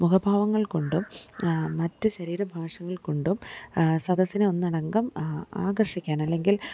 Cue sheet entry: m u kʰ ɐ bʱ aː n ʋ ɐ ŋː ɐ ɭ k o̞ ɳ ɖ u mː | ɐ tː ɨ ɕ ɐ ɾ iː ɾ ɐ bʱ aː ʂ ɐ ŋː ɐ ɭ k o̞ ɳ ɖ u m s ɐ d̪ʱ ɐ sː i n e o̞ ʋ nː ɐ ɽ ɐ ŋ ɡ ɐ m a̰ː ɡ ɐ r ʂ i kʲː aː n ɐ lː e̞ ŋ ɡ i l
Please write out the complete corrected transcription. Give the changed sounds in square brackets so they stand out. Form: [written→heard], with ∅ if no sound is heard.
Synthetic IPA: m u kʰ ɐ bʱ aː [n→∅] ʋ ɐ ŋː ɐ ɭ k o̞ ɳ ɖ u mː | ɐ tː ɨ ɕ ɐ ɾ iː ɾ ɐ bʱ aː ʂ ɐ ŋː ɐ ɭ k o̞ ɳ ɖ u m s ɐ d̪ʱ ɐ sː i n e o̞ [ʋ→∅] nː ɐ ɽ ɐ ŋ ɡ ɐ m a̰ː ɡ ɐ r ʂ i kʲː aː n ɐ lː e̞ ŋ ɡ i l